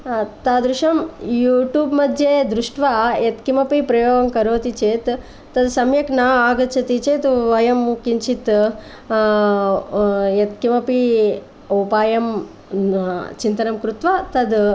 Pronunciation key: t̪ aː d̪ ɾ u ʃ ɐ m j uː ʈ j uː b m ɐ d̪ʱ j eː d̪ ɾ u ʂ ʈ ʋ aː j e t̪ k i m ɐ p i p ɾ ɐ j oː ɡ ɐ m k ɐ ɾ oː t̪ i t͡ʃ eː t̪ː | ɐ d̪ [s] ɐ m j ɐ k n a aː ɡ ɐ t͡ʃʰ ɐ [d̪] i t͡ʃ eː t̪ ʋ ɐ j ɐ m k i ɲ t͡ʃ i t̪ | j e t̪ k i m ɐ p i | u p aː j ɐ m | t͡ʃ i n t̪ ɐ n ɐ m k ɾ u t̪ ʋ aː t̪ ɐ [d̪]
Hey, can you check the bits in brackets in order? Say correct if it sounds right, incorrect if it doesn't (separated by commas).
correct, incorrect, correct